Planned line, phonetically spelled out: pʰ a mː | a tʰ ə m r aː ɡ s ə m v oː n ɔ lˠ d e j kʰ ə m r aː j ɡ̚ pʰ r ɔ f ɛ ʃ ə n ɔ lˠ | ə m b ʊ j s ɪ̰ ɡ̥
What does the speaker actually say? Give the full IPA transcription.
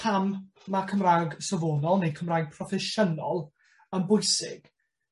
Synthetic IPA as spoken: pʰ a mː | a kʰ ə m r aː ɡ s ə v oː n ɔ lˠ n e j kʰ ə m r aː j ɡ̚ pʰ r ɔ f ɛ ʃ ə n ɔ lˠ | ə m b ʊ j s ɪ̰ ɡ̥